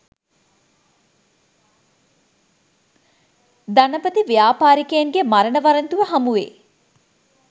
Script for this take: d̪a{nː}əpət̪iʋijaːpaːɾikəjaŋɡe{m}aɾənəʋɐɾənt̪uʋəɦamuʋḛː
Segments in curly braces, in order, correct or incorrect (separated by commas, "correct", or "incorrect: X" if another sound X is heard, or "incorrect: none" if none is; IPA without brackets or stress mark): incorrect: n, correct